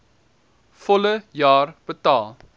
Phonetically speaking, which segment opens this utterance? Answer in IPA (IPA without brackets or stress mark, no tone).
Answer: f